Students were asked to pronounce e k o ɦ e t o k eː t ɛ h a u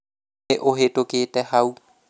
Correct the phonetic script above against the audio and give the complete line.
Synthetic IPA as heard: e ʔ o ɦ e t o k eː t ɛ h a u